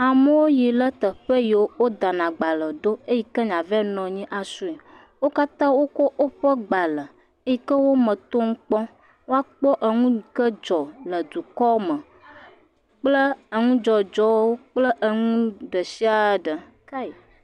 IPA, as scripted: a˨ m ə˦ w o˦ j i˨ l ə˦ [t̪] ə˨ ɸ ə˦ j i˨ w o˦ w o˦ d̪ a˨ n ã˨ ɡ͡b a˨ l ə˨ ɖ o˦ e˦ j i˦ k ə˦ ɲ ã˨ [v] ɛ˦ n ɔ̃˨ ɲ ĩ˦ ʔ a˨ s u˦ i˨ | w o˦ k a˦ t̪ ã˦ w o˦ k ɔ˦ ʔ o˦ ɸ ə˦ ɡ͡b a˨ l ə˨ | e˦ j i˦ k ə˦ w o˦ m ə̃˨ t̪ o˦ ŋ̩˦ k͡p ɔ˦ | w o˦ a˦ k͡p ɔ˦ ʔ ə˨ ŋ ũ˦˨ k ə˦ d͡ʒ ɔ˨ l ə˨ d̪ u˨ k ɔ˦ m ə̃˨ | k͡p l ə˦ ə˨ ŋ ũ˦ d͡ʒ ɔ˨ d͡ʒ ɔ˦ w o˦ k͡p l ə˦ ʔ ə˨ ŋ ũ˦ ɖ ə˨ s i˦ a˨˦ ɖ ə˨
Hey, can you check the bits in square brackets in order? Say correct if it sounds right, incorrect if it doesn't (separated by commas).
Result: correct, correct